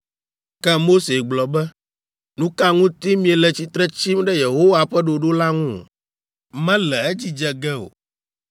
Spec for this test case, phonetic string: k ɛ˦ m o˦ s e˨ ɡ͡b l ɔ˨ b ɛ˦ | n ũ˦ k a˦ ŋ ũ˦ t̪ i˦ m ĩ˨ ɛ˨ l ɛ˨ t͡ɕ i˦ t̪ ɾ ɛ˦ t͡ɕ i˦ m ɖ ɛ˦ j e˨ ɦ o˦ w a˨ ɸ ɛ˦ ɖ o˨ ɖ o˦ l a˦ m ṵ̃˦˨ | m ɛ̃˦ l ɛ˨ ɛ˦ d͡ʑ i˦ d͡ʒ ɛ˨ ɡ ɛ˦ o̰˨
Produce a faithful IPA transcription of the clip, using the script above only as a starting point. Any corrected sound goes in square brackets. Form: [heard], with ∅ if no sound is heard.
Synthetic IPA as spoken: k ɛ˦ m o˦ s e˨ ɡ͡b l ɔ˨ b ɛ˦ | n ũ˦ k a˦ ŋ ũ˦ t̪ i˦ m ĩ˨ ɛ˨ l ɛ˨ t͡ɕ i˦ t̪ ɾ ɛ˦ t͡ɕ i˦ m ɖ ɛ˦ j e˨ ɦ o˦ w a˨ ɸ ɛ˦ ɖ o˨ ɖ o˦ l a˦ [ŋ] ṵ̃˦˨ | m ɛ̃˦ l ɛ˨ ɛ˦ d͡ʑ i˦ d͡ʒ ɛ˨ ɡ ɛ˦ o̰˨

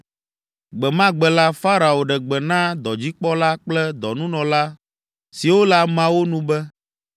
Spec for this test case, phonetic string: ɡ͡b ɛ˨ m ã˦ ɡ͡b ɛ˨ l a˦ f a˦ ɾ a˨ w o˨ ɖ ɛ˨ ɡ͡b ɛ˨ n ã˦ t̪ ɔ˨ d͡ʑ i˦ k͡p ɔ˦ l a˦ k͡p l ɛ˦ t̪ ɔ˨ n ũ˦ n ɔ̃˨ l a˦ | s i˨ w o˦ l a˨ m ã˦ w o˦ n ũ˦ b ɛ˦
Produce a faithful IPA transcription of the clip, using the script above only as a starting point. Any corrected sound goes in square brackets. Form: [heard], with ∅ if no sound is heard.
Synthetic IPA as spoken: ɡ͡b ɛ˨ m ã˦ ɡ͡b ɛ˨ l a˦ f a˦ ɾ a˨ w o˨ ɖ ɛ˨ ɡ͡b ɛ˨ n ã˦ [d̪] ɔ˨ d͡ʑ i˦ k͡p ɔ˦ l a˦ k͡p l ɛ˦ [d̪] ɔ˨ n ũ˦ n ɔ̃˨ l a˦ | s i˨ w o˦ l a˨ m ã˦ w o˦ n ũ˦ b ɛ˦

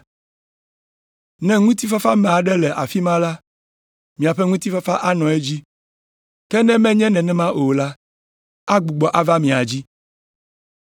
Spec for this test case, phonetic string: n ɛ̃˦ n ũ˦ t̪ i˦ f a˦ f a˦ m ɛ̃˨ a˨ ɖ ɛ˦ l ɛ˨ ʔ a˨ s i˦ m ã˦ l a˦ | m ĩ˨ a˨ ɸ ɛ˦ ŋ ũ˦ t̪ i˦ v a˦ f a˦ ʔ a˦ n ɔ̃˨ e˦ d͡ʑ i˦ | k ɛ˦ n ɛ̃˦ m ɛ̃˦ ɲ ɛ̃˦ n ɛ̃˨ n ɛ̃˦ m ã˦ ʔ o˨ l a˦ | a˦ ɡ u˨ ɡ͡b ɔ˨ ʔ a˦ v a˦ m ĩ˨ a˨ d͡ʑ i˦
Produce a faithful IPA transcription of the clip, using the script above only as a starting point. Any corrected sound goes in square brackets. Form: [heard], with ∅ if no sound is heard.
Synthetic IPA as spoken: n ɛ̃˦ [ŋ] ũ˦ t̪ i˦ f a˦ f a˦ m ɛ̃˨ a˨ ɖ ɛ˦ l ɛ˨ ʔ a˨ [f] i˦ m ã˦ l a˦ | m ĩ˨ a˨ ɸ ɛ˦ ŋ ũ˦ t̪ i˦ [f] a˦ f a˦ ʔ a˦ n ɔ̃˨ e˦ d͡ʑ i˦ | k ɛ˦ n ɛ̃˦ m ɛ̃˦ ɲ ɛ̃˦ n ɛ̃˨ n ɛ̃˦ m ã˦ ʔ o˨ l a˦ | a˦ [ɡ͡b] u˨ ɡ͡b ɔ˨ ʔ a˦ v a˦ m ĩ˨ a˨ d͡ʑ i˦

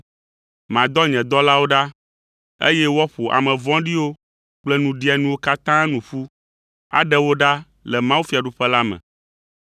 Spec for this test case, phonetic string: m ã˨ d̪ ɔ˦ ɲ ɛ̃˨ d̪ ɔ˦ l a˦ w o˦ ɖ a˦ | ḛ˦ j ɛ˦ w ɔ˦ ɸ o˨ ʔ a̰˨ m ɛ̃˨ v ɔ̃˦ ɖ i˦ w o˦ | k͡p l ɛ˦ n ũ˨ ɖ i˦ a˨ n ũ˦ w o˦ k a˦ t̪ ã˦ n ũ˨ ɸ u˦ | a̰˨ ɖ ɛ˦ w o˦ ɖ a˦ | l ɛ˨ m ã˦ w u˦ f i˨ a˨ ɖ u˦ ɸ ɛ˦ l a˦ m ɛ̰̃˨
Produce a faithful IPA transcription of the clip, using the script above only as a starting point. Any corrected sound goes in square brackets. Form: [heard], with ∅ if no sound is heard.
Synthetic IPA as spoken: m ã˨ d̪ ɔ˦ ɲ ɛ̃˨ d̪ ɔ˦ l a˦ w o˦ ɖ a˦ | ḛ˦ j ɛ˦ w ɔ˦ ɸ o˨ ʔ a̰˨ m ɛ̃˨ v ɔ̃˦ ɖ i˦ w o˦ | k͡p l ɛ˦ n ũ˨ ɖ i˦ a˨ n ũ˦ w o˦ k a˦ t̪ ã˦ n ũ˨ ɸ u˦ | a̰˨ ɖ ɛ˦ w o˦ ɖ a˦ | l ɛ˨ m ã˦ w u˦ f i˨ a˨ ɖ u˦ ɸ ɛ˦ l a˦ m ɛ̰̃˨

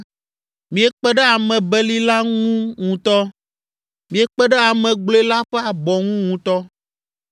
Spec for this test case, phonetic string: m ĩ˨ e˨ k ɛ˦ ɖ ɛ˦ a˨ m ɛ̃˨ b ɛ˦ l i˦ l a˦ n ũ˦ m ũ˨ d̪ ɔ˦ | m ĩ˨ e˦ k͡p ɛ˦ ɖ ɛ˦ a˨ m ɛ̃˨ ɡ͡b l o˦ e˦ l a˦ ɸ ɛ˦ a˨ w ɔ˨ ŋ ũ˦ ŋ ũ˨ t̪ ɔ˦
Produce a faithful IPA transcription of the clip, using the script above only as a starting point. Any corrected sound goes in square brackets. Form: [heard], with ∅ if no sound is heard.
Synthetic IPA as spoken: m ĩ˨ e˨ [k͡p] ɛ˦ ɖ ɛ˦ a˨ m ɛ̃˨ b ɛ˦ l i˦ l a˦ [ŋ] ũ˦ [ŋ] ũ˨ [t̪] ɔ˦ | m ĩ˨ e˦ k͡p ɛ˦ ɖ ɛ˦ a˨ m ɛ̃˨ ɡ͡b l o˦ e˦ l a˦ ɸ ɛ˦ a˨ [b] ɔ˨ ŋ ũ˦ ŋ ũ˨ t̪ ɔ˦

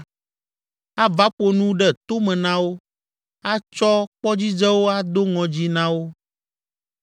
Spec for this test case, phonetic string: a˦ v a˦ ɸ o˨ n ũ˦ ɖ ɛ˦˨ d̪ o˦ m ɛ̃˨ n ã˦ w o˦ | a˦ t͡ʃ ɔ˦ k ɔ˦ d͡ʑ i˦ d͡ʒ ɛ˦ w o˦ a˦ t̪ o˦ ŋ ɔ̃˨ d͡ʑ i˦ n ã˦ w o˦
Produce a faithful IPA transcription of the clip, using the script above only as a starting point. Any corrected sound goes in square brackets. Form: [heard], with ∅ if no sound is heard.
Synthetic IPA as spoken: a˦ v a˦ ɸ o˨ n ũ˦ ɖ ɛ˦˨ [t̪] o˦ m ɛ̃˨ n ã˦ w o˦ | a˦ t͡ʃ ɔ˦ [k͡p] ɔ˦ d͡ʑ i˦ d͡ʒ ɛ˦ w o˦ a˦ [d̪] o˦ ŋ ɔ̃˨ d͡ʑ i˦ n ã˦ w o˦

